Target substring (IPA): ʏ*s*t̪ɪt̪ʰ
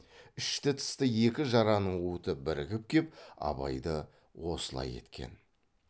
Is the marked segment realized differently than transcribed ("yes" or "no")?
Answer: yes